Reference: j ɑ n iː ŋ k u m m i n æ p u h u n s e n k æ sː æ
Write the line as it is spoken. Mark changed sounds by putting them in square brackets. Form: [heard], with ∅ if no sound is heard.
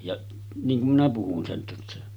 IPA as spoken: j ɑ n iː ŋ k u m m i n æ p u h u n s e n [t] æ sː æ

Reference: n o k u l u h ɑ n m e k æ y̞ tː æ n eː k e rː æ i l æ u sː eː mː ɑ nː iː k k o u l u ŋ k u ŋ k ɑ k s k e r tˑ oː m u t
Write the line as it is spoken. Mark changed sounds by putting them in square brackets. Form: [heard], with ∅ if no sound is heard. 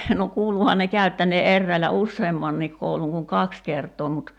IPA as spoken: n o k [uː] l u h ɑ n [n] e k æ y̞ tː æ n eː [ʔ] e rː æ i l æ u sː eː mː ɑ nː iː k k o u l u ŋ k u ŋ k ɑ k s k e r tˑ oː m u t

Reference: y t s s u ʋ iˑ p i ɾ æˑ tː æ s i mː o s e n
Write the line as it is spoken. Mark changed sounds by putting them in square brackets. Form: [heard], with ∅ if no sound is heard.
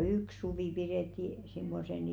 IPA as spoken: y [k] s s u ʋ iˑ p i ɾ [eˑ] tː [i] s i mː o s e n

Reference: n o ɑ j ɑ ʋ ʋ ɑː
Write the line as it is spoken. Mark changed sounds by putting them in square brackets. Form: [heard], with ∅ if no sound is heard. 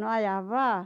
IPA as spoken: n o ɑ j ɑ ʋ ʋ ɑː

